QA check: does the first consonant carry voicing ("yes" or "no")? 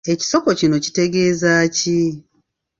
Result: no